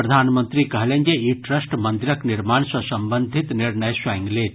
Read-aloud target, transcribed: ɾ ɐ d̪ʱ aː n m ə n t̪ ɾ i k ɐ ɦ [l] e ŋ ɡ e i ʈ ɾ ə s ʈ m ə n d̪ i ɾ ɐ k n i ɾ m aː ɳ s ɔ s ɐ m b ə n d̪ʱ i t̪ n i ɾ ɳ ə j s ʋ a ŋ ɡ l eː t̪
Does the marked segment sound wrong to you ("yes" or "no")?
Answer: no